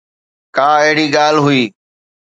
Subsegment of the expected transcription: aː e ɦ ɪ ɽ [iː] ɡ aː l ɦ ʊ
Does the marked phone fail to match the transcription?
no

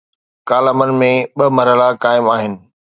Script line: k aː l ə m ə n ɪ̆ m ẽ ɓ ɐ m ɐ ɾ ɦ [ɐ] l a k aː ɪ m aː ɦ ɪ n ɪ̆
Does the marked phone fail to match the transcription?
yes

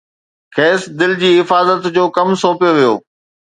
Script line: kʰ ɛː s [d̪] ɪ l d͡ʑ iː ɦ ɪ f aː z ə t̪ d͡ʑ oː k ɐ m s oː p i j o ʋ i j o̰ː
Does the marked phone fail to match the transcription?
no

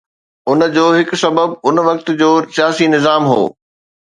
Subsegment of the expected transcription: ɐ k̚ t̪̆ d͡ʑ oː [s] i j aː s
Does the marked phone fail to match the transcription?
no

